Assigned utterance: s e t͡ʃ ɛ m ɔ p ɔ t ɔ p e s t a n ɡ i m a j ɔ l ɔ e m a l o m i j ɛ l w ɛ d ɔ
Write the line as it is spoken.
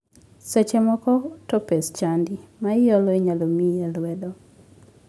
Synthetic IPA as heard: s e t͡ʃ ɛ m ɔ k ɔ t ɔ p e s t͡ʃ a n d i m a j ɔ l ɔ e ɲ a l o m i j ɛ l w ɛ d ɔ